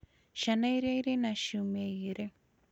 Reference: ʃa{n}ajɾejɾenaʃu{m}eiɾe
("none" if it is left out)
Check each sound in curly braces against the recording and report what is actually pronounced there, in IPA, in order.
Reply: n, m

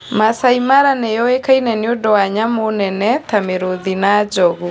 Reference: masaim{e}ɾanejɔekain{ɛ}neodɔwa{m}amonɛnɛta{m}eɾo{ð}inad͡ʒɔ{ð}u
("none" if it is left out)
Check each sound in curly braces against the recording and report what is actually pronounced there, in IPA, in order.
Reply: a, ɛ, ɲ, m, ð, ɣ

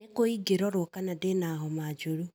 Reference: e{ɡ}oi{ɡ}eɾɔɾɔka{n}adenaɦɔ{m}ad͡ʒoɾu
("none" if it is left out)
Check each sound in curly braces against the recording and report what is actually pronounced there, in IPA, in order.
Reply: k, ɡ, n, m

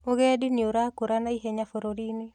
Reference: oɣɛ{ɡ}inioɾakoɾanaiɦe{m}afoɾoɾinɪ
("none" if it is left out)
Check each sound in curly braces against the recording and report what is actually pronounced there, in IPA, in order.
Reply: d, ɲ

